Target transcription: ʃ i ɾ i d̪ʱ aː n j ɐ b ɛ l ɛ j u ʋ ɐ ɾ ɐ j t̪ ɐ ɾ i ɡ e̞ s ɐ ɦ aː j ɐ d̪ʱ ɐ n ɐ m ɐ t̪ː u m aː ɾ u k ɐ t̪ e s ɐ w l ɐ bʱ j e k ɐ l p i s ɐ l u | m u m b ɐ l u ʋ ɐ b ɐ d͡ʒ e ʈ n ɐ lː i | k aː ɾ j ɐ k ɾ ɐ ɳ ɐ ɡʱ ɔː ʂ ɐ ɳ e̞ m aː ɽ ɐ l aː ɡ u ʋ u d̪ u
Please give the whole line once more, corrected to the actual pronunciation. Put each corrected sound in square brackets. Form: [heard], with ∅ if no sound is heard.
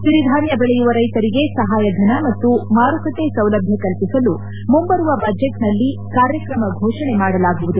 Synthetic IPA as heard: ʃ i ɾ i d̪ʱ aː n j ɐ b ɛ [ɭ] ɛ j u ʋ ɐ ɾ ɐ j t̪ ɐ ɾ i ɡ e̞ s ɐ ɦ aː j ɐ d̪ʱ ɐ n ɐ m ɐ t̪ː u m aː ɾ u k ɐ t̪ e s ɐ w l ɐ bʱ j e k ɐ l p i s ɐ l u | m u m b ɐ [ɾ] u ʋ ɐ b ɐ d͡ʒ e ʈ n ɐ lː i | k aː ɾ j ɐ k ɾ ɐ [m] ɐ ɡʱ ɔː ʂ ɐ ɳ e̞ m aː ɽ ɐ l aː ɡ u ʋ u d̪ u